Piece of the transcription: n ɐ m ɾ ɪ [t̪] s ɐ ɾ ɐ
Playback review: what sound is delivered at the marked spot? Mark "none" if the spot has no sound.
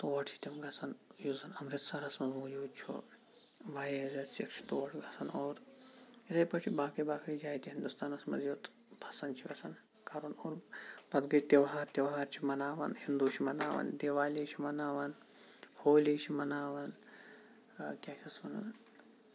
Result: t̪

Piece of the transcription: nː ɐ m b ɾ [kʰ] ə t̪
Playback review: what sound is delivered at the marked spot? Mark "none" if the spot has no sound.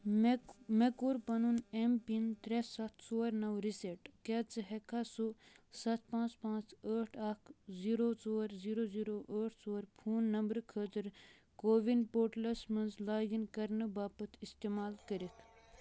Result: kʰ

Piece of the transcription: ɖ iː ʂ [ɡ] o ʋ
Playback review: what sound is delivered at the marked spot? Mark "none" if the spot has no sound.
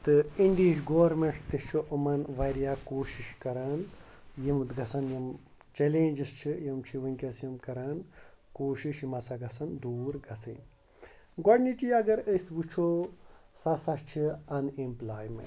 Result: ɡ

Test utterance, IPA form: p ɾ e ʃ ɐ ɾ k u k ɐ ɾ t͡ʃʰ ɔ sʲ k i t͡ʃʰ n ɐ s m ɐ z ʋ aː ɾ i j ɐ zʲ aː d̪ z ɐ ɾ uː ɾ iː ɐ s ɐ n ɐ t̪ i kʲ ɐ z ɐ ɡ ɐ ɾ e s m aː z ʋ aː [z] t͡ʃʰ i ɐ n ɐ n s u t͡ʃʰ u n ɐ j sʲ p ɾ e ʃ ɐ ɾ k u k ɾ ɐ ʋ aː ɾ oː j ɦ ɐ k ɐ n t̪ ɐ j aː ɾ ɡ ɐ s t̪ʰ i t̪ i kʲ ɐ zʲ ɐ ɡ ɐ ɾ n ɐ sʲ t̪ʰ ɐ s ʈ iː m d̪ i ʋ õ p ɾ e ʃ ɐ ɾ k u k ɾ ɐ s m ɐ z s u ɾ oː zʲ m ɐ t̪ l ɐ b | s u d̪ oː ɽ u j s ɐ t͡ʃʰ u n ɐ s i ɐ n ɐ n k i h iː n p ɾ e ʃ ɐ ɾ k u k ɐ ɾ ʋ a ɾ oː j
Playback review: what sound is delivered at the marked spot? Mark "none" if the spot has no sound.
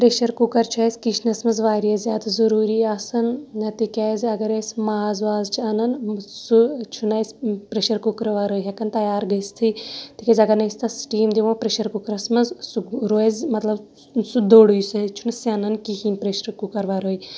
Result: z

